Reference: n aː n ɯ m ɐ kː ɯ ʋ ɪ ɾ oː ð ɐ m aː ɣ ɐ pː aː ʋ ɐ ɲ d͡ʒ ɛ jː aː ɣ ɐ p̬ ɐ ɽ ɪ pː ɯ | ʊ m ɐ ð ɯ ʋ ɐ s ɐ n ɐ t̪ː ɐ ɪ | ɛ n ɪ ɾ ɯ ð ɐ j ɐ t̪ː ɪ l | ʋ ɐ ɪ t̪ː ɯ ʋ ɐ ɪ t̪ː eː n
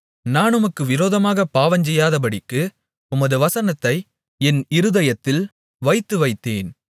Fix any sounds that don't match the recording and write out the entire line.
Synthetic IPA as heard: n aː n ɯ m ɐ kː ɯ ʋ ɪ ɾ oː ð ɐ m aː ɣ ɐ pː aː ʋ ɐ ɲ d͡ʒ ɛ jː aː ð ɐ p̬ ɐ ɽ ɪ kː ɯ | ʊ m ɐ ð ɯ ʋ ɐ s ɐ n ɐ t̪ː ɐ ɪ | ɛ n ɪ ɾ ɯ ð ɐ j ɐ t̪ː ɪ l | ʋ ɐ ɪ t̪ː ɯ ʋ ɐ ɪ t̪ː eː n

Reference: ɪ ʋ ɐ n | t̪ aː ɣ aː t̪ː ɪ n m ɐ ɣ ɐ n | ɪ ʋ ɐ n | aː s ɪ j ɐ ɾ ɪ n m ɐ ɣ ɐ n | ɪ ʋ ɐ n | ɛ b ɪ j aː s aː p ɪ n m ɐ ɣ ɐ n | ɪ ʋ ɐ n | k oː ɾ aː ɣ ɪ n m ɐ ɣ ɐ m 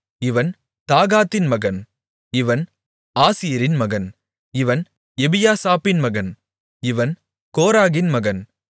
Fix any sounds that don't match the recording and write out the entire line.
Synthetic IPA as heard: ɪ ʋ ɐ n | t̪ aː ɣ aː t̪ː ɪ n m ɐ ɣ ɐ n | ɪ ʋ ɐ n | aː s ɪ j ɐ ɾ ɪ n m ɐ ɣ ɐ n | ɪ ʋ ɐ n | ɛ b ɪ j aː s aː p ɪ n m ɐ ɣ ɐ n | ɪ ʋ ɐ n | k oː ɾ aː ɣ ɪ n m ɐ ɣ ɐ n

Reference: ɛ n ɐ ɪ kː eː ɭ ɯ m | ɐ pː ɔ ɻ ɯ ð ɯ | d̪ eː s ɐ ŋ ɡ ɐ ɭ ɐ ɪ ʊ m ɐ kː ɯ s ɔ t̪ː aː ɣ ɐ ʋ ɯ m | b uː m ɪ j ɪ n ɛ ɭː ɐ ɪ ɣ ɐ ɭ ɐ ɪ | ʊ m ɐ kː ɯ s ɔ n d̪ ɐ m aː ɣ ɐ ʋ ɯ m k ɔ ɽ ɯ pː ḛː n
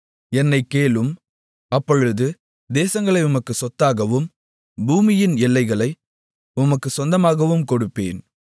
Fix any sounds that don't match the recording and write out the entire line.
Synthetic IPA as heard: ɛ nː ɐ ɪ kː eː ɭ ɯ m | ɐ pː ɔ ɻ ɯ ð ɯ | d̪ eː s ɐ ŋ ɡ ɐ ɭ ɐ ɪ ʊ m ɐ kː ɯ s ɔ t̪ː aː ɣ ɐ ʋ ɯ m | b uː m ɪ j ɪ n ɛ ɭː ɐ ɪ ɣ ɐ ɭ ɐ ɪ | ʊ m ɐ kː ɯ s ɔ n d̪ ɐ m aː ɣ ɐ ʋ ɯ m k ɔ ɽ ɯ pː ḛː n

